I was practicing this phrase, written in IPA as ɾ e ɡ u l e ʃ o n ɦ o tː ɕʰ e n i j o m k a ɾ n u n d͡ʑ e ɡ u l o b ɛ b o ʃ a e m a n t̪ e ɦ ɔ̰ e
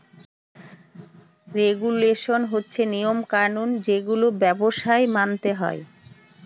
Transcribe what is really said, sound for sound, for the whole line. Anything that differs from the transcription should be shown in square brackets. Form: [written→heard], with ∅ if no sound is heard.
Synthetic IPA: ɾ e ɡ u l e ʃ o n ɦ o tː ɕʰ e n i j o m k a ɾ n u n d͡ʑ e ɡ u l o b ɛ b o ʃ a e m a n t̪ e ɦ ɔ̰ e